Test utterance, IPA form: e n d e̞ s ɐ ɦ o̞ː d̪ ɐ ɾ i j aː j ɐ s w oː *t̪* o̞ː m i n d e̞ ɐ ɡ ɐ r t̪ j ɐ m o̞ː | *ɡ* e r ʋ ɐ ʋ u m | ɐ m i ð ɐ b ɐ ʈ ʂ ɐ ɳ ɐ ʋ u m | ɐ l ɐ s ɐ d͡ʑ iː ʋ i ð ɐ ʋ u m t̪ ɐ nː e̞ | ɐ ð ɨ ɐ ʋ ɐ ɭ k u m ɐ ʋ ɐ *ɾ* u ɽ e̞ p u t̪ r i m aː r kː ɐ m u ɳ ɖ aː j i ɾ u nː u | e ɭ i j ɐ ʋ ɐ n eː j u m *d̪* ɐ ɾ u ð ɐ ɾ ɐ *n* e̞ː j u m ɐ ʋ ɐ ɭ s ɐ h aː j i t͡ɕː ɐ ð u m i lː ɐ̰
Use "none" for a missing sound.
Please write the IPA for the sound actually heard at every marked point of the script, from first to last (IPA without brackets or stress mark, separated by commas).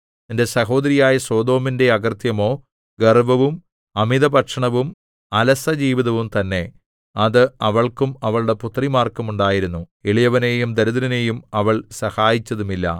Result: d̪, ɡ, ɭ, d̪, n